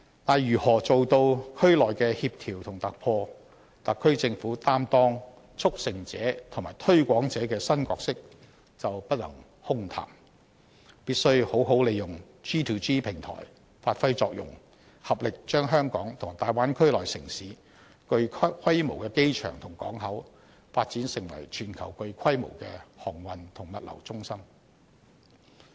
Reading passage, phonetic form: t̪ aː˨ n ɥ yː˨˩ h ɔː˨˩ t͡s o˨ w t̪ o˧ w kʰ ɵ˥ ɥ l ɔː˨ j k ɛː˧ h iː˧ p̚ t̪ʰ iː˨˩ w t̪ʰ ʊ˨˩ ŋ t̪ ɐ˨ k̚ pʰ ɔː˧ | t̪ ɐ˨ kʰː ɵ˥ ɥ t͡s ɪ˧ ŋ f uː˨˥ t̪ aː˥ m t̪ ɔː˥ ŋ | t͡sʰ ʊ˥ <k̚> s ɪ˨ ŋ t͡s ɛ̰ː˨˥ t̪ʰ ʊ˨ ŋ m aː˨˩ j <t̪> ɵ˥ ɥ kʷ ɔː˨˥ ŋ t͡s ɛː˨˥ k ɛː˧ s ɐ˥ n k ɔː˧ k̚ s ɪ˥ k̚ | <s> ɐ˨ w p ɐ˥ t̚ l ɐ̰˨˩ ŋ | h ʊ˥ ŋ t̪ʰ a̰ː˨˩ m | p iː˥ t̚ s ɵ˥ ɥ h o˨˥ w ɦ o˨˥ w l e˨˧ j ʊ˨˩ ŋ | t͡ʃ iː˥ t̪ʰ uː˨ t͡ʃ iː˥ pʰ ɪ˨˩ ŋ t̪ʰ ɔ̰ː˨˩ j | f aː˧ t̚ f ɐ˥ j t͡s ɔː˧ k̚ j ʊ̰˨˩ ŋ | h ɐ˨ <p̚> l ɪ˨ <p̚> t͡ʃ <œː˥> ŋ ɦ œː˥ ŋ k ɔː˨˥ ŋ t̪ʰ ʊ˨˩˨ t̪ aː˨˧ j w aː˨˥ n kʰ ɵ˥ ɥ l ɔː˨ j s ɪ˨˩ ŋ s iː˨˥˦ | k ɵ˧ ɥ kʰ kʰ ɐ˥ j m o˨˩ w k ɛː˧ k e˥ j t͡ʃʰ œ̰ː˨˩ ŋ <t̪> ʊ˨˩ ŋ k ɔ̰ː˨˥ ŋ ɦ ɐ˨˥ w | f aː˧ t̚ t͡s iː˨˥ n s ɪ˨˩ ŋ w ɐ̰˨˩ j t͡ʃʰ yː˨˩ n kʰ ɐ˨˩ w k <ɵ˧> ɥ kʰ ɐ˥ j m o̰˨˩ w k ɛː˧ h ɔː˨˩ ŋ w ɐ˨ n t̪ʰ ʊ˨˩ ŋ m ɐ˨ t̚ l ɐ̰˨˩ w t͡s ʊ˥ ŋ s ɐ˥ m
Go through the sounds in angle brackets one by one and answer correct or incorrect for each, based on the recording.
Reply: correct, incorrect, incorrect, correct, incorrect, correct, incorrect, correct

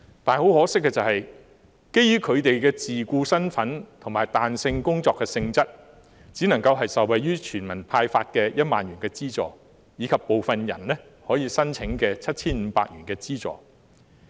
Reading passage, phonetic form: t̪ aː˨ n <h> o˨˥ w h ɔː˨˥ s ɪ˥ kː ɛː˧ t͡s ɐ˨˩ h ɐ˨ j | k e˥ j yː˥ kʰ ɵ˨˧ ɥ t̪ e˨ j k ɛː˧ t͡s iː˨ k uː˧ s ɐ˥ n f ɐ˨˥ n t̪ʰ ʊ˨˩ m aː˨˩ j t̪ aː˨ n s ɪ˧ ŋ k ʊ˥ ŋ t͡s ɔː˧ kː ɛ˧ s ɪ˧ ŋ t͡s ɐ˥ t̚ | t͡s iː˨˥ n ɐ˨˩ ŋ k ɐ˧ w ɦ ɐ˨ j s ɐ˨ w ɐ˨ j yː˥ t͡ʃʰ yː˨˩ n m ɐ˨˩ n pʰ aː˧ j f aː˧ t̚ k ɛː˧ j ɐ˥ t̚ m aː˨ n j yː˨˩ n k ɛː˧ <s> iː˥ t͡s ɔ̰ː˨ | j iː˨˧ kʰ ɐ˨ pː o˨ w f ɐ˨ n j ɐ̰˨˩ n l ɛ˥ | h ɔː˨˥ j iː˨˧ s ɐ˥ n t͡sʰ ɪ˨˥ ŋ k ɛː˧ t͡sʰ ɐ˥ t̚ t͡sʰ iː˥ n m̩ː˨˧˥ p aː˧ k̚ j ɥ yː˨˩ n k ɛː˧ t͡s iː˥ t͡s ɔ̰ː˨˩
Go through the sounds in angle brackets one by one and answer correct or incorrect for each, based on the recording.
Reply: correct, incorrect

